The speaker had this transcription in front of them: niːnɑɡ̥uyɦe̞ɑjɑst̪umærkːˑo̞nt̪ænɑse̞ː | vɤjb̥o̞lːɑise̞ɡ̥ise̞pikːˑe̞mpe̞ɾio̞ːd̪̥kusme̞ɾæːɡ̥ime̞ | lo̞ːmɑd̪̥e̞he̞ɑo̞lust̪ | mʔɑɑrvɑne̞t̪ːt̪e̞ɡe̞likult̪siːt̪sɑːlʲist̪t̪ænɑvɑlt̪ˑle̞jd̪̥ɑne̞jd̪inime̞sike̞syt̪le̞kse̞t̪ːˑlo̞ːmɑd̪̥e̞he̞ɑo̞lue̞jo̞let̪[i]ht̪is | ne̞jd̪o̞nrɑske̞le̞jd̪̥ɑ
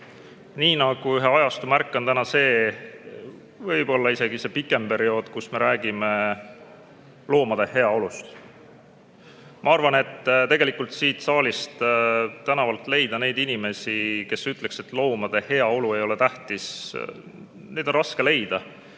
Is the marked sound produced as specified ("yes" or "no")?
no